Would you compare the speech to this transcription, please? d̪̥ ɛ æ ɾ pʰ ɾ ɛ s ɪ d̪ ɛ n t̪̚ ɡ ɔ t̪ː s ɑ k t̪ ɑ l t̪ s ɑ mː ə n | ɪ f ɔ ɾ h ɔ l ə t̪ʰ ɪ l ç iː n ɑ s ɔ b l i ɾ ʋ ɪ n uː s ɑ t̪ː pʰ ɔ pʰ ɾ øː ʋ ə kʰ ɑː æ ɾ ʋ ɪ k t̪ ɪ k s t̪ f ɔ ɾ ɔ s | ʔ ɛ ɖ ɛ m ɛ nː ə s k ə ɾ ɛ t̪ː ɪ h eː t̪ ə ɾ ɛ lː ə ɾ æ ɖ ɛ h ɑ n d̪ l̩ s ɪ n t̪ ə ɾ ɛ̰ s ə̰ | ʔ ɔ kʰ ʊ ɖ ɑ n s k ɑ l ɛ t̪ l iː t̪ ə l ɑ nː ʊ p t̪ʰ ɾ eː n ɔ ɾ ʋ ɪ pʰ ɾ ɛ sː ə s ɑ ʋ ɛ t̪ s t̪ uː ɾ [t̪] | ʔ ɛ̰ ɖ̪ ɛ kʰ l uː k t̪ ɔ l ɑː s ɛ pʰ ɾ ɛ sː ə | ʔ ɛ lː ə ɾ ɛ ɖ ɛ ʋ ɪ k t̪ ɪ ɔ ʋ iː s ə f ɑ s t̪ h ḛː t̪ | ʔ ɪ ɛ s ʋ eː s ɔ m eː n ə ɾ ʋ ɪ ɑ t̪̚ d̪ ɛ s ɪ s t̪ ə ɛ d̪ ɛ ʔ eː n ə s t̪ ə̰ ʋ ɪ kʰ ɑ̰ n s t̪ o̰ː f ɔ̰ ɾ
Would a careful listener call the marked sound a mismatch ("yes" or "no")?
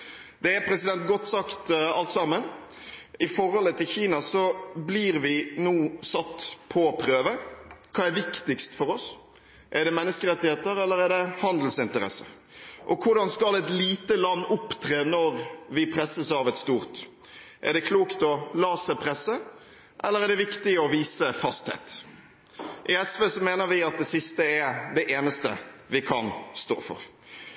no